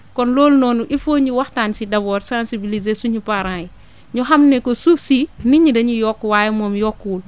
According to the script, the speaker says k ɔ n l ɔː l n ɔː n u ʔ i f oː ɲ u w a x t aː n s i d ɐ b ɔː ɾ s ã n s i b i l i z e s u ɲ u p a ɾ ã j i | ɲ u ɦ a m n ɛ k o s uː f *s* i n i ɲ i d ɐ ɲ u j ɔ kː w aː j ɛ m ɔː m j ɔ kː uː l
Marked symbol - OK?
yes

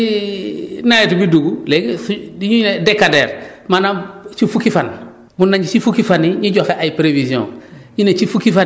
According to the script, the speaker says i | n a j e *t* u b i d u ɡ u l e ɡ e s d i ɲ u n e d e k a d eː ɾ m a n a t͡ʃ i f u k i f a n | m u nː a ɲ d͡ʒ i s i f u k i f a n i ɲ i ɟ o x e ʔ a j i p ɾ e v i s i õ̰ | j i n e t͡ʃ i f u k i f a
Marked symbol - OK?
yes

